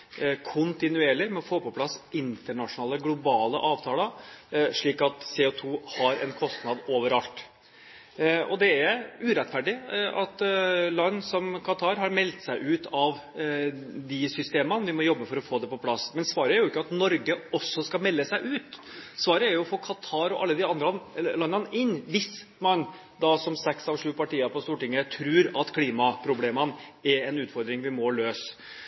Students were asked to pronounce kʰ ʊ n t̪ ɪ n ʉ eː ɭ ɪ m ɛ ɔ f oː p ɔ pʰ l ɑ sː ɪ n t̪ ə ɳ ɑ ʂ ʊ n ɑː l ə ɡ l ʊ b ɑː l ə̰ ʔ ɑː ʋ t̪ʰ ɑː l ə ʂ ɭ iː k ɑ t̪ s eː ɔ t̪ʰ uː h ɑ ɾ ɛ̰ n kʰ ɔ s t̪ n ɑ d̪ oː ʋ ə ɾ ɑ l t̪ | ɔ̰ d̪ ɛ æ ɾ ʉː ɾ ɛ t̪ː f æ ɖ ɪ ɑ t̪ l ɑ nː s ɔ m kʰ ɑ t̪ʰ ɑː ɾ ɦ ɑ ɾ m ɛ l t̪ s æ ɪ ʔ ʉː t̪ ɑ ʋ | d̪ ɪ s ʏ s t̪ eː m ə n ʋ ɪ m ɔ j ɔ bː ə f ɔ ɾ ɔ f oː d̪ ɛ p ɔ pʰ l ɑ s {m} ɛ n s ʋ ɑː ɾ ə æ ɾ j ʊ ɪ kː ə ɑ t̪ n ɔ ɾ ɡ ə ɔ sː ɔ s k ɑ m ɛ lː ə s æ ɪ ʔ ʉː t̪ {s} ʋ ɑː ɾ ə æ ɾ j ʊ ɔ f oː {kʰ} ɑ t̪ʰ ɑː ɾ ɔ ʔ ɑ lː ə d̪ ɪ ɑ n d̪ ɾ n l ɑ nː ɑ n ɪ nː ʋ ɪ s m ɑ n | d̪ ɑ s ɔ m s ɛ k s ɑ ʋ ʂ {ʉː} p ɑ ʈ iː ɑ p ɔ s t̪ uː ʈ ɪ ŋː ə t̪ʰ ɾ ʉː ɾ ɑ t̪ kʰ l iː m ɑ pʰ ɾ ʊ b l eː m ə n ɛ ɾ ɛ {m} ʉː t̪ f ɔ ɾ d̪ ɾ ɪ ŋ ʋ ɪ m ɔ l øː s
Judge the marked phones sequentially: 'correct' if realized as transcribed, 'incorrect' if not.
correct, correct, correct, correct, incorrect: n

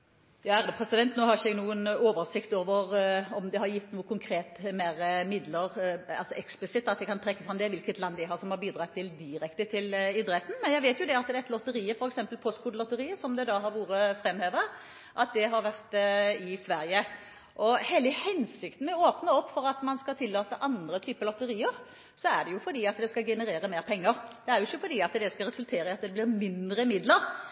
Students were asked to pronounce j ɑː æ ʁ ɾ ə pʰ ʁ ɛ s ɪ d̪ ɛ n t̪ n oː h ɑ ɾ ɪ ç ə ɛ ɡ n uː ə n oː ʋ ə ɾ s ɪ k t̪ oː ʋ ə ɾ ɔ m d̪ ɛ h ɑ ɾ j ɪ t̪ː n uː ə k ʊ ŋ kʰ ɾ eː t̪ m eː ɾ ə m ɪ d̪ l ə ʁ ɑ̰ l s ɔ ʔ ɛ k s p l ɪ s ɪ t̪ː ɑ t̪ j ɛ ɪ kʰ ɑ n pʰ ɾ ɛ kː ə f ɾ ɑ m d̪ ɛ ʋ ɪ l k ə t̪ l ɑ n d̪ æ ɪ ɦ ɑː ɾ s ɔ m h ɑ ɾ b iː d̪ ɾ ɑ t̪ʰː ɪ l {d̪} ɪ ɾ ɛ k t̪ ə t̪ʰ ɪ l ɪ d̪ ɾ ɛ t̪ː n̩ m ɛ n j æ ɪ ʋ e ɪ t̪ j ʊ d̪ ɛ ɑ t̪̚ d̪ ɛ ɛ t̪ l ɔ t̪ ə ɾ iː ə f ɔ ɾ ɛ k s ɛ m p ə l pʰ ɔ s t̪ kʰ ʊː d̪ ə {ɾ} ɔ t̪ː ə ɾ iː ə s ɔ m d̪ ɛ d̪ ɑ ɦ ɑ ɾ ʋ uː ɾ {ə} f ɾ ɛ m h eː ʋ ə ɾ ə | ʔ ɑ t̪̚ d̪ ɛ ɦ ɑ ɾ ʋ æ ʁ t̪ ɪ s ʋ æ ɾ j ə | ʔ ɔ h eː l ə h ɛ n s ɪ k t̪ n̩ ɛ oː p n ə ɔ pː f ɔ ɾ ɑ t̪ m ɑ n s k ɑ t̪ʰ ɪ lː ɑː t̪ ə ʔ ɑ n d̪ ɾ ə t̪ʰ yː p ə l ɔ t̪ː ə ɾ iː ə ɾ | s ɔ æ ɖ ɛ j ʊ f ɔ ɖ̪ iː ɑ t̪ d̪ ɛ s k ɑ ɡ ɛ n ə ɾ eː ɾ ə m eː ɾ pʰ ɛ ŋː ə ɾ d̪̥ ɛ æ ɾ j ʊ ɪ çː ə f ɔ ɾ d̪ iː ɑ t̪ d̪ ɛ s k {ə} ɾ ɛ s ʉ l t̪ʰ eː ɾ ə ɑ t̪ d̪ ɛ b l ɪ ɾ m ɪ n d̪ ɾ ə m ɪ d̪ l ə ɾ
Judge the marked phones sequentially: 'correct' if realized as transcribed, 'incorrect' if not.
correct, incorrect: l, correct, incorrect: ɑ

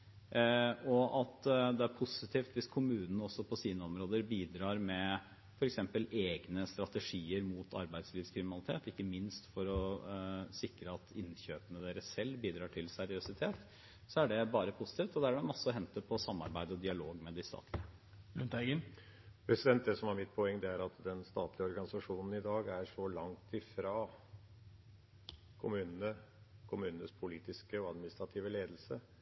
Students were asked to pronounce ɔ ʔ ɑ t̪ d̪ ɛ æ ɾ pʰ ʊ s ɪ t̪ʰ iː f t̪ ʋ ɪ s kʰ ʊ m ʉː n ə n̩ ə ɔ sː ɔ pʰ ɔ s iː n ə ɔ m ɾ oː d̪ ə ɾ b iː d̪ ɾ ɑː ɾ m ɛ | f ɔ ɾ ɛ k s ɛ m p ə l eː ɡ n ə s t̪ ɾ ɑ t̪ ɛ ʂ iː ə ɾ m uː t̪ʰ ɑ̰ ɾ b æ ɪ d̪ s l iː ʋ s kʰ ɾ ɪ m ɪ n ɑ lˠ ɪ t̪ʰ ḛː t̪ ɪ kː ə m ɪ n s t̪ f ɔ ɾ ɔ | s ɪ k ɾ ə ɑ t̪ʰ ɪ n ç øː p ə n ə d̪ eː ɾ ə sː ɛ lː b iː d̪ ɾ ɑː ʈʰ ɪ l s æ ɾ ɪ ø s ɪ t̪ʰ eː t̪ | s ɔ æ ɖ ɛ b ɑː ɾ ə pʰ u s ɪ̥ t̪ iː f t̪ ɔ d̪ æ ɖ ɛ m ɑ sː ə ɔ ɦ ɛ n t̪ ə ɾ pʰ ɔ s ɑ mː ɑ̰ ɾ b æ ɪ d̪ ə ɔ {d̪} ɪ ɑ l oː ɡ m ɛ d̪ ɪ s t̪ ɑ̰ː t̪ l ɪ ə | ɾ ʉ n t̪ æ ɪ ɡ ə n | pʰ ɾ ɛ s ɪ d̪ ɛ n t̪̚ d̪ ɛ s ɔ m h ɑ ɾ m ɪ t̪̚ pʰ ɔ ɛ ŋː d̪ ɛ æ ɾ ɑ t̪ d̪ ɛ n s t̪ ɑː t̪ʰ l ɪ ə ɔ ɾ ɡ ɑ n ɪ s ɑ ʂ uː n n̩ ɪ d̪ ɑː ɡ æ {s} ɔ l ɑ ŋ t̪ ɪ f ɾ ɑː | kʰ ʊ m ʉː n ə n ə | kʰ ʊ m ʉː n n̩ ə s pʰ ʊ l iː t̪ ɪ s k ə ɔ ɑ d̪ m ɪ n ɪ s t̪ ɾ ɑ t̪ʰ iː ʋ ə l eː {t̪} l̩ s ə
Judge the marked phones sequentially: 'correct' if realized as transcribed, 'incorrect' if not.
correct, incorrect: ʂ, incorrect: d̪

